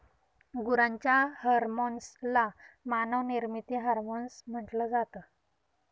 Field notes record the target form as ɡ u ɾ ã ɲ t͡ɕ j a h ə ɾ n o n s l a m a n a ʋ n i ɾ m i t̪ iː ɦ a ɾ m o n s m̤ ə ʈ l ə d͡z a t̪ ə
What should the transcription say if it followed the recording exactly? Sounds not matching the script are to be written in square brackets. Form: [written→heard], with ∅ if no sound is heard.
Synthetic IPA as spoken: ɡ u ɾ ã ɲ t͡ɕ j a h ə ɾ [n→m] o n s l a m a n [a→ə] ʋ n i ɾ m i t̪ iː ɦ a ɾ m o n s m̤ ə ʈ l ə d͡z a t̪ ə